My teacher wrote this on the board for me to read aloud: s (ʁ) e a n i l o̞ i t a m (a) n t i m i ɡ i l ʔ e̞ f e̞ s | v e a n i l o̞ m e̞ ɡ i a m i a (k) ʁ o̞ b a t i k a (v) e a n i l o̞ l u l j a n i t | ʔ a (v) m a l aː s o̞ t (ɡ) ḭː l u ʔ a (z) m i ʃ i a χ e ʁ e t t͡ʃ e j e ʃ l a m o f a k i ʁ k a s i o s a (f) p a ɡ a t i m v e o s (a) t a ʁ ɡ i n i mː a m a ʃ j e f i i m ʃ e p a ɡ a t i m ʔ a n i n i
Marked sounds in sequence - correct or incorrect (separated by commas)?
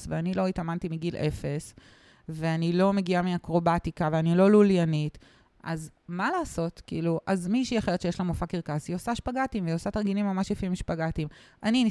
incorrect, correct, correct, correct, incorrect, incorrect, correct, incorrect, correct